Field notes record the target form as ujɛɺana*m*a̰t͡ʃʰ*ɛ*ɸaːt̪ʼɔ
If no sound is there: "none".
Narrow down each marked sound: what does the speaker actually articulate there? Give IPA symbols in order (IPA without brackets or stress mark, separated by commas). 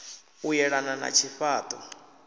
n, i